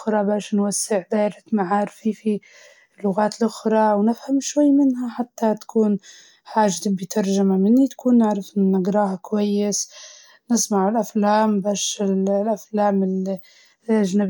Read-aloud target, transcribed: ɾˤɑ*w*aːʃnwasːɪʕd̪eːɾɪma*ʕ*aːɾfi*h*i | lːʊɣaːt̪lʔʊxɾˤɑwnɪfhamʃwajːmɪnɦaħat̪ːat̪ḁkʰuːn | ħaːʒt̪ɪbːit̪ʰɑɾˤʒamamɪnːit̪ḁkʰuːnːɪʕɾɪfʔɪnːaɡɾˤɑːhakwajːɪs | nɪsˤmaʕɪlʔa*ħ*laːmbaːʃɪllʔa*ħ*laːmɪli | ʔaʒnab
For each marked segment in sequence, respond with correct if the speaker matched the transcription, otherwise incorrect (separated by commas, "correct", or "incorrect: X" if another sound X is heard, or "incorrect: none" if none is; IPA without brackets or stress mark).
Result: incorrect: b, correct, incorrect: f, incorrect: f, incorrect: f